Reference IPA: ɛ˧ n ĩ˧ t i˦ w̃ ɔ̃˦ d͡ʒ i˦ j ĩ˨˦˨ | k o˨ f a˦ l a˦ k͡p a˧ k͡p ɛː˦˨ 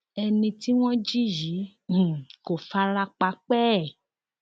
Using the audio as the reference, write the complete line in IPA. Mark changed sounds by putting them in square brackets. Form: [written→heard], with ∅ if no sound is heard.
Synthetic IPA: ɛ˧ n ĩ˧ t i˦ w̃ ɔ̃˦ d͡ʒ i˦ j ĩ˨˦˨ | k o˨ f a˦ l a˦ k͡p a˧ k͡p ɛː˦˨